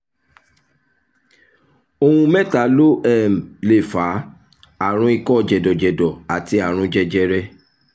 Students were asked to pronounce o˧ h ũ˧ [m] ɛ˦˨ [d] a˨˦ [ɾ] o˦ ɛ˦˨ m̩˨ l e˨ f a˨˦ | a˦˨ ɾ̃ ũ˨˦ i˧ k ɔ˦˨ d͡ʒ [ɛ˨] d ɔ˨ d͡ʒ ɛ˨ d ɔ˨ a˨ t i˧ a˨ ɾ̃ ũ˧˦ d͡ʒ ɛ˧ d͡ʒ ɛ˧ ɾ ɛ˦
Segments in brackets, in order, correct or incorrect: correct, incorrect, incorrect, correct

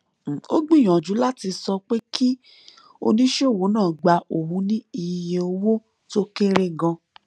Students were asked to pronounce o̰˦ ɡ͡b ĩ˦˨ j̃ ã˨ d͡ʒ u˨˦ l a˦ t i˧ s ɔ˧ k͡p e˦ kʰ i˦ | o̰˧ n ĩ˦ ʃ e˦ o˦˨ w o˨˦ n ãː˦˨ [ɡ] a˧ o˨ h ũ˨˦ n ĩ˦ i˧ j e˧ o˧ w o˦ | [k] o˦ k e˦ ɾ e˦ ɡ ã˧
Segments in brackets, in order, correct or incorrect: incorrect, incorrect

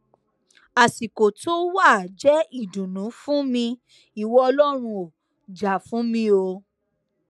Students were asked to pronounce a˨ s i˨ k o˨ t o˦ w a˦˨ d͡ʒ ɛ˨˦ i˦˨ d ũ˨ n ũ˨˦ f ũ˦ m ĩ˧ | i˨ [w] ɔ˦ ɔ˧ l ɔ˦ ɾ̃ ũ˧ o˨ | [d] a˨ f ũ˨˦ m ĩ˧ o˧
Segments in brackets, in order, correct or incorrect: correct, incorrect

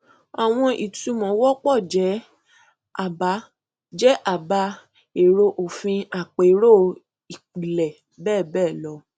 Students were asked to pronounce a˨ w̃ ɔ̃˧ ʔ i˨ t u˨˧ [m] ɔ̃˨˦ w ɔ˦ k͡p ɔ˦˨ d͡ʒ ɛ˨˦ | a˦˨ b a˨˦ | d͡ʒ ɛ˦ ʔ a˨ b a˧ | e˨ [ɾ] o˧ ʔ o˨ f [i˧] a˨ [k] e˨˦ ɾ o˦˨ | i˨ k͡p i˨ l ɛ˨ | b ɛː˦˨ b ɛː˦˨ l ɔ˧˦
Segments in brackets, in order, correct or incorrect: correct, correct, incorrect, incorrect

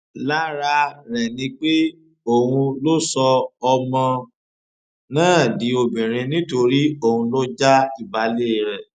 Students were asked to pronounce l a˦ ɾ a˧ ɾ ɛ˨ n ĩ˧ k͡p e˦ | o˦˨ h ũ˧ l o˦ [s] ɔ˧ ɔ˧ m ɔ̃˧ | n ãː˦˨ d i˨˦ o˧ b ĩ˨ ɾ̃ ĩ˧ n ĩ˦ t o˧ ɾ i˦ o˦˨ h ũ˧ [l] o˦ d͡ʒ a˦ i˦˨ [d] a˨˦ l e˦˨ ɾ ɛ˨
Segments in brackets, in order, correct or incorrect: correct, correct, incorrect

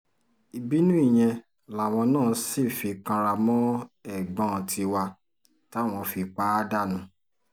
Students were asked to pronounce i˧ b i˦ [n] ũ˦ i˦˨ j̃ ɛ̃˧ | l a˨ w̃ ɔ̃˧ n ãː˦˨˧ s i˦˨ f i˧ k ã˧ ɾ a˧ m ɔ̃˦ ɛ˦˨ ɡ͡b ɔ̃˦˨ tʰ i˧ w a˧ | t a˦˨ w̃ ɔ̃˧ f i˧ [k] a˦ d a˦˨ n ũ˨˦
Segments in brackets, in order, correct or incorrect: correct, incorrect

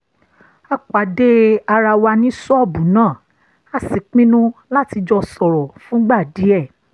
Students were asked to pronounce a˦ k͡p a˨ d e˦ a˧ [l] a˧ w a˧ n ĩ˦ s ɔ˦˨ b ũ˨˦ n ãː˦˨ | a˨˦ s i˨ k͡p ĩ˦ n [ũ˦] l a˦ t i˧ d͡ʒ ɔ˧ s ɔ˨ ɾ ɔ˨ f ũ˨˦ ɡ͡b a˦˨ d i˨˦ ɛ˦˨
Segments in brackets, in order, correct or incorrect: incorrect, correct

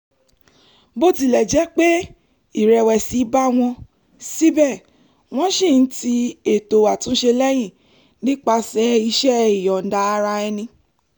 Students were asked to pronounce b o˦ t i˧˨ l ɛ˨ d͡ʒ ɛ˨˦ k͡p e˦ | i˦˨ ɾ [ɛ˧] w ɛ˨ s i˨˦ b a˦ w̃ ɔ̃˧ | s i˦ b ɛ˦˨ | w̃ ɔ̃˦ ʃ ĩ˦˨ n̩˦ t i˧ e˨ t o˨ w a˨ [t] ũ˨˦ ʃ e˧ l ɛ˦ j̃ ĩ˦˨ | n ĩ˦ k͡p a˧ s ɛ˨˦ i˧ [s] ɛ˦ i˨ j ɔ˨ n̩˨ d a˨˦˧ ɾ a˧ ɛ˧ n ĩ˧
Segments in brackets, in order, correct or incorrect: correct, correct, incorrect

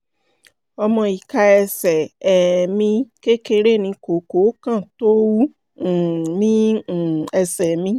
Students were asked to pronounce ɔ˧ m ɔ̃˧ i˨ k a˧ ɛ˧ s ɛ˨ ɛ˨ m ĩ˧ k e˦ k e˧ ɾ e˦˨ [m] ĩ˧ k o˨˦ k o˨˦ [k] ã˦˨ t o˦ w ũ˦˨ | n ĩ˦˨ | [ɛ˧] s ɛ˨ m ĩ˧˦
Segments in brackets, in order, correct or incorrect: incorrect, correct, correct

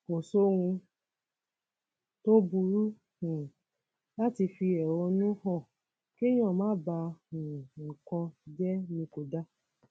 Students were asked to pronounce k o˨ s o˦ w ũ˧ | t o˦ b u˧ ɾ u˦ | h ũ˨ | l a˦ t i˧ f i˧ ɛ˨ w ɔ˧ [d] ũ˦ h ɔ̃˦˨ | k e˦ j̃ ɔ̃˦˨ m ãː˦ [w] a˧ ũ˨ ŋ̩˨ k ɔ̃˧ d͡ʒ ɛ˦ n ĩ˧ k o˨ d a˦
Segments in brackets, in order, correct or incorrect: incorrect, incorrect

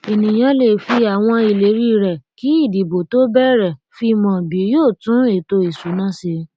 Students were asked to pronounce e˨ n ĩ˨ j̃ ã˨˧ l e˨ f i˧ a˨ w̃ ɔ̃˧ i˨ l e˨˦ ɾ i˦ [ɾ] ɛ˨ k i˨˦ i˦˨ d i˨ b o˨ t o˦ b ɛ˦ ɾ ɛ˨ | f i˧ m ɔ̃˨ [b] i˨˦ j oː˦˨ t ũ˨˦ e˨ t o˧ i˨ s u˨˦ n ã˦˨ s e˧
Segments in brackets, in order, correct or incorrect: correct, correct

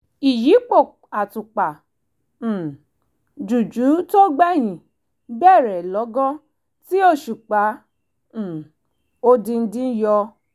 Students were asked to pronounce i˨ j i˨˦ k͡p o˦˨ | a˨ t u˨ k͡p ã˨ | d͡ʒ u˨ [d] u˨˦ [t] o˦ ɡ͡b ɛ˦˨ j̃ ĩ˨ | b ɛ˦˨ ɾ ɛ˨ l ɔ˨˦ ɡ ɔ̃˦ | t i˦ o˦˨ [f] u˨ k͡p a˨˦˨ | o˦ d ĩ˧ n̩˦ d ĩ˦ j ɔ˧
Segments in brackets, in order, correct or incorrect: incorrect, correct, incorrect

